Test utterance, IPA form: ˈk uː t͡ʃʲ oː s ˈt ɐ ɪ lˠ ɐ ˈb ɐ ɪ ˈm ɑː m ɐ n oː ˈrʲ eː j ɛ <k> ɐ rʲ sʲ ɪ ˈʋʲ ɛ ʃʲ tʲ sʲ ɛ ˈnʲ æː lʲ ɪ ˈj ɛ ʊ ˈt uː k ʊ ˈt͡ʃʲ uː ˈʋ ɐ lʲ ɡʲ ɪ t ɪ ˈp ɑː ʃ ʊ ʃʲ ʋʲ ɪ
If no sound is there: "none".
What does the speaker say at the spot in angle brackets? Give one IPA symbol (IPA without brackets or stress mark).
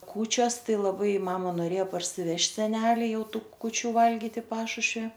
p